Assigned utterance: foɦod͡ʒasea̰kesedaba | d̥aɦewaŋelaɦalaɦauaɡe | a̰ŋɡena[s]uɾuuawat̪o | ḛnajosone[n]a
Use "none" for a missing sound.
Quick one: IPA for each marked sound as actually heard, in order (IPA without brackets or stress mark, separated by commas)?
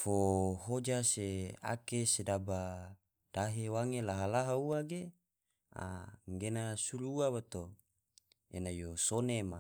s, m